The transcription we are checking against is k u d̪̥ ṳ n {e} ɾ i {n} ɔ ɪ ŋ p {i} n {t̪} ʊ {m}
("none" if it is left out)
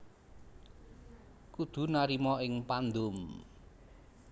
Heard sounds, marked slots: a, m, a, d̪, m

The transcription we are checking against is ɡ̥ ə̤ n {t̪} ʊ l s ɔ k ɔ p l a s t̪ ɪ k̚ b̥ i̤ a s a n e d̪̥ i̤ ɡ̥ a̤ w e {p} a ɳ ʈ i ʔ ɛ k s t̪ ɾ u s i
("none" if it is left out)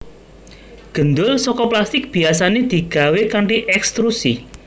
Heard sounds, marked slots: d̪, k

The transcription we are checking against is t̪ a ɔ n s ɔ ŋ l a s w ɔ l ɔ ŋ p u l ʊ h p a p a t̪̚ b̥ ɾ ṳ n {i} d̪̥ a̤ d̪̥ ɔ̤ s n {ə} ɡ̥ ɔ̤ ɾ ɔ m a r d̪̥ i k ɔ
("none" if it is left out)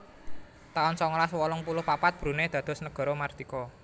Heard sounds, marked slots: e, ə

